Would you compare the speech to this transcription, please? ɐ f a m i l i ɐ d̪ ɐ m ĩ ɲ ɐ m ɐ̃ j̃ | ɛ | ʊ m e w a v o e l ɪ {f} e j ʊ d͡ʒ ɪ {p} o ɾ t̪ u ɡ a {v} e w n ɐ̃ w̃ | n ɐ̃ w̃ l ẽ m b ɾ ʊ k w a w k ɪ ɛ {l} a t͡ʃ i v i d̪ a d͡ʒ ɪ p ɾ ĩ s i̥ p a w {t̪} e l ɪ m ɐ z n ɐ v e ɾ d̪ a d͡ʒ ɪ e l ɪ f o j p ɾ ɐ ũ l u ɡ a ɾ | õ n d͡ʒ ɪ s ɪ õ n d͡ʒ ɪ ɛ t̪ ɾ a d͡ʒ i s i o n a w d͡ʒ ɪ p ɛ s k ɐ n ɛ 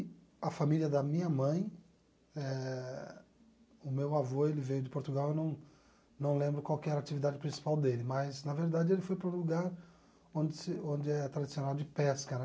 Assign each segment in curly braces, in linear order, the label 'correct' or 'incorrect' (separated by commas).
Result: incorrect, correct, incorrect, incorrect, incorrect